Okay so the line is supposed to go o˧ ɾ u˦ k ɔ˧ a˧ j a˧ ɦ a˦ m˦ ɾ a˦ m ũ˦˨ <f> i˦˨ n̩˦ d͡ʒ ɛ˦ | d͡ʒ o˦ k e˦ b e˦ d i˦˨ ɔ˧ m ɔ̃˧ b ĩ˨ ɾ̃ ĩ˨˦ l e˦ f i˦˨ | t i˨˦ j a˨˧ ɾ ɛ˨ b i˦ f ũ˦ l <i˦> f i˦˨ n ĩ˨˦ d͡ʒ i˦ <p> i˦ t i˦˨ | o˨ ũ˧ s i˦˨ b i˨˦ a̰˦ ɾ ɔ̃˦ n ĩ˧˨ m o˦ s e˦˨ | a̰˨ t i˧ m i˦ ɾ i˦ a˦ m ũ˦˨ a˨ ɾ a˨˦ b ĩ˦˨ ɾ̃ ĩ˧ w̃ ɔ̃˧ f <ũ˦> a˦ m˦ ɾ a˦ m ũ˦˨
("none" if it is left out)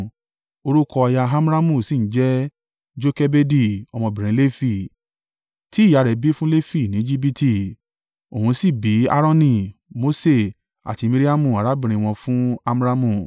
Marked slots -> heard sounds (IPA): s, e˦, b, ũ˦

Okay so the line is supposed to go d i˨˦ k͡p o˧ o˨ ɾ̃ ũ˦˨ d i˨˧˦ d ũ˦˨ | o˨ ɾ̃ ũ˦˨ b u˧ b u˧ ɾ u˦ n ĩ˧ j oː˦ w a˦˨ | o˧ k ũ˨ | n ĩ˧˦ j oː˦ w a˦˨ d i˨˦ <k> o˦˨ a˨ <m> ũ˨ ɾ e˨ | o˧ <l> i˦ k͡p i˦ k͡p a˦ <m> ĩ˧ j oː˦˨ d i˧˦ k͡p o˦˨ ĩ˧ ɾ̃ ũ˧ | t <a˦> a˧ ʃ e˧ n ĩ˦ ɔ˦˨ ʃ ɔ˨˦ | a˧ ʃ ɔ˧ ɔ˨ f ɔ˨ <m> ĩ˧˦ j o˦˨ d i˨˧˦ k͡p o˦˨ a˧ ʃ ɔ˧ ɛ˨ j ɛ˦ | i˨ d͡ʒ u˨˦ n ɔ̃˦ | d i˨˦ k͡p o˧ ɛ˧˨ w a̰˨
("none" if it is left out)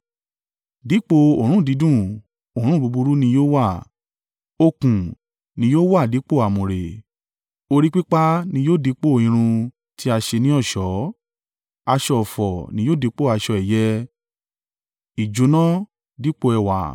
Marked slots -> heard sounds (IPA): k͡p, m, ɾ, n, i˦, n

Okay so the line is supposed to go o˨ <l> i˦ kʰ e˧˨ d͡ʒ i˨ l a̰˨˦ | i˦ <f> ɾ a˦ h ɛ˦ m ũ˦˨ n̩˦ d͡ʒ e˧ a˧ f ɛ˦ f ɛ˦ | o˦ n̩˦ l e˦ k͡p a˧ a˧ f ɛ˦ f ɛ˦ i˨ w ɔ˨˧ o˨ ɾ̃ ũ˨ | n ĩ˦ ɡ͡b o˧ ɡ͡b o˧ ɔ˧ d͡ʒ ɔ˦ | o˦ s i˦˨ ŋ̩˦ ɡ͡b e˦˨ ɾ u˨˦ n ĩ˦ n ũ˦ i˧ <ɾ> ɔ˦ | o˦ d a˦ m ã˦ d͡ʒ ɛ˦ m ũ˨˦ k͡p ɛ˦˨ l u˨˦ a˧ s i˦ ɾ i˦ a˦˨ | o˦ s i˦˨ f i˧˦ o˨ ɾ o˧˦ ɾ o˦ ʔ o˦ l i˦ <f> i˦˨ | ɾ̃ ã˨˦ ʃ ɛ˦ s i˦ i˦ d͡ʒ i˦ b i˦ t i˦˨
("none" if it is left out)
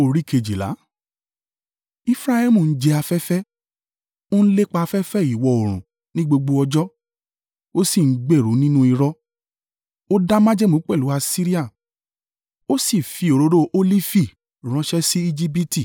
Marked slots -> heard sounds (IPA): ɾ, f, ɾ, f

